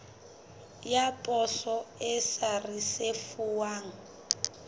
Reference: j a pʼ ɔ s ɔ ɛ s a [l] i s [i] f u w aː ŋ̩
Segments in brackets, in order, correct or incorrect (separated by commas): incorrect, incorrect